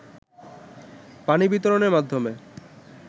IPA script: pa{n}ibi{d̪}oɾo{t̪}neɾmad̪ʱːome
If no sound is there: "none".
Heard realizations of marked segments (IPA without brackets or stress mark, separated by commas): n, t̪, none